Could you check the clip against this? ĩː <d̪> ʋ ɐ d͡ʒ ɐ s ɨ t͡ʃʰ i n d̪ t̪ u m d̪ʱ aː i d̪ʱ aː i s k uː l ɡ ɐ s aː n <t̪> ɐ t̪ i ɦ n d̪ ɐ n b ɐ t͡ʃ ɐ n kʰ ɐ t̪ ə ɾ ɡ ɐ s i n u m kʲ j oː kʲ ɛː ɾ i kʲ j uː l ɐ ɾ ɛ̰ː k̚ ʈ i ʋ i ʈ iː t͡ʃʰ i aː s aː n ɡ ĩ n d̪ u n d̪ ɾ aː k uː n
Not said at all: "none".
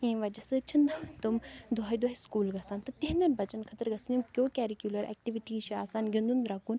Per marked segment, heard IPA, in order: none, t̪

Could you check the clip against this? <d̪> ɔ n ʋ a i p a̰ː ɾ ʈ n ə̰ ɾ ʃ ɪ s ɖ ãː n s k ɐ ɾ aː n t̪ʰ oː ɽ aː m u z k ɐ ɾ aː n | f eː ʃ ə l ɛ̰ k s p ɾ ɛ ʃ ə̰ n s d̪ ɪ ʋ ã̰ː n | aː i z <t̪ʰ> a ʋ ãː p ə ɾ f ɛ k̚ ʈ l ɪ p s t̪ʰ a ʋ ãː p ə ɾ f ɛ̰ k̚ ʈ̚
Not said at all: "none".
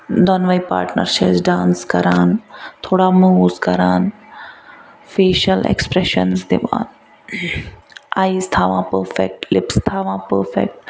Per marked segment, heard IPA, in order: d̪, t̪ʰ

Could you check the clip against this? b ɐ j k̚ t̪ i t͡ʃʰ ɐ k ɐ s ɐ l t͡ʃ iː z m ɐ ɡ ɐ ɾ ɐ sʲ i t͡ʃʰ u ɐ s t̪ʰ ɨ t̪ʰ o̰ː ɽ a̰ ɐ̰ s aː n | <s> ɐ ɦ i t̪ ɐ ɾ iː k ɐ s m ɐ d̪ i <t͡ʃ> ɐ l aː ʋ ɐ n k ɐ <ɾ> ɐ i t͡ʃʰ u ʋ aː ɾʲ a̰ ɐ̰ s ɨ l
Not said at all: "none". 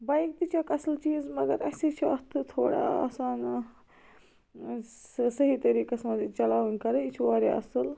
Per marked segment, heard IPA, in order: s, t͡ʃ, ɾ

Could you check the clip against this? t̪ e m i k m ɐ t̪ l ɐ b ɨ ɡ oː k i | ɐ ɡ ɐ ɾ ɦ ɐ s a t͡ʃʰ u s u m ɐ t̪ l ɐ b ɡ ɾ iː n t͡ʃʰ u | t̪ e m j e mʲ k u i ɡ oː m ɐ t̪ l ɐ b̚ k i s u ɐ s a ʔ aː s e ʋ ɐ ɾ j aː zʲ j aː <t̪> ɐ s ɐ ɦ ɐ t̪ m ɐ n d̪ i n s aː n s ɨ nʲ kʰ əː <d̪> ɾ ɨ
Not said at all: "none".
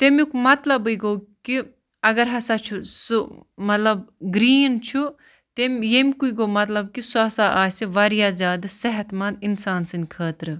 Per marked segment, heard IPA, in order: d̪, t̪

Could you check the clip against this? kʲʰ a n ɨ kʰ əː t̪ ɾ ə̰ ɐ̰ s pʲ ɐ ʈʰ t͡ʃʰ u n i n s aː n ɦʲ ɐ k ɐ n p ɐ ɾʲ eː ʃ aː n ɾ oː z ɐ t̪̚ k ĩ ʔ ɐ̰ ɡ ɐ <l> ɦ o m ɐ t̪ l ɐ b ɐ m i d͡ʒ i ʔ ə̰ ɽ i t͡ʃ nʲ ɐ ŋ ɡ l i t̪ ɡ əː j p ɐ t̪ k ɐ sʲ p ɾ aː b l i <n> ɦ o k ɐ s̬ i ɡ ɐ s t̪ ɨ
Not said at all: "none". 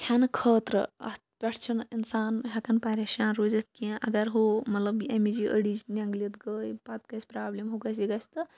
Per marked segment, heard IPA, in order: ɾ, m

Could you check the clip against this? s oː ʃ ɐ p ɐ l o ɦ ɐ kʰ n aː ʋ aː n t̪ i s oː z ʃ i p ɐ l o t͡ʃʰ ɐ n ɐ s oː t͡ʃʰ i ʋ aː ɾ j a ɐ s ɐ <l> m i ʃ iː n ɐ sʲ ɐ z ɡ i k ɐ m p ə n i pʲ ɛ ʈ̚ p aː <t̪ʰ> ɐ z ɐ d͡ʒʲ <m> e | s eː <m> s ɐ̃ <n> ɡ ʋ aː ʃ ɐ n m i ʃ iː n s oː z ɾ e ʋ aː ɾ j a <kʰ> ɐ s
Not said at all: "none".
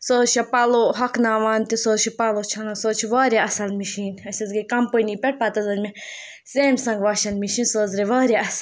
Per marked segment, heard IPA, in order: l, t̪, m, m, ŋ, none

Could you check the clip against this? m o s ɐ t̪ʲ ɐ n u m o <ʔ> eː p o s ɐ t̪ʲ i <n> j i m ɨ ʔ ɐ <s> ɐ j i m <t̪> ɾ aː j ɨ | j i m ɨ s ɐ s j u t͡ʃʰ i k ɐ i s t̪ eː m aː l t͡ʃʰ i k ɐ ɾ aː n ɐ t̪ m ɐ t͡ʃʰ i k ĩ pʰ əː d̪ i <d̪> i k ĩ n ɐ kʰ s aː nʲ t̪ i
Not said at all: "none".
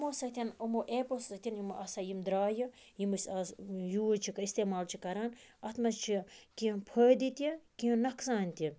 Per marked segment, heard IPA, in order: ʔ, n, s, d̪, t̪

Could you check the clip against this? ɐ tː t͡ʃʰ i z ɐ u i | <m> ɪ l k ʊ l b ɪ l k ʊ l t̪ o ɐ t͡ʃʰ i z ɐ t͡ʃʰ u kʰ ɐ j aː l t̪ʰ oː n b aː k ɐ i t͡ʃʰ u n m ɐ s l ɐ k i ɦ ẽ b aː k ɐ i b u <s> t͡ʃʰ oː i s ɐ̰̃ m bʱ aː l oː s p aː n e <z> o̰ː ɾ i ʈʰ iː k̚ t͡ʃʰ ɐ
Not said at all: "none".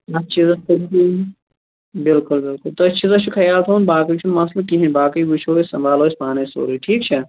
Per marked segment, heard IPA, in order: b, none, s

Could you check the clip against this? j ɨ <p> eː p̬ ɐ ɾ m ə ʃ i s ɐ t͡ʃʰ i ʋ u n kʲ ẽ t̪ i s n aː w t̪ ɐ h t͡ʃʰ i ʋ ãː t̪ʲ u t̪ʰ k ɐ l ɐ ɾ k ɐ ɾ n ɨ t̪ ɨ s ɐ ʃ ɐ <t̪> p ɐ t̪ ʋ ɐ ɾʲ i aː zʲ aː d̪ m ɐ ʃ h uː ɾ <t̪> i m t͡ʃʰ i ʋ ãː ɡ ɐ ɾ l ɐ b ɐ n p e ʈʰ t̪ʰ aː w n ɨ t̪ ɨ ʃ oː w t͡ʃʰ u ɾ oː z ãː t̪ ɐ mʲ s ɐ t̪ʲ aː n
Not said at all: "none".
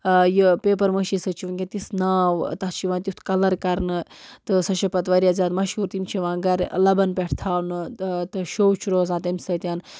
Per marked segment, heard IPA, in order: p, none, t̪

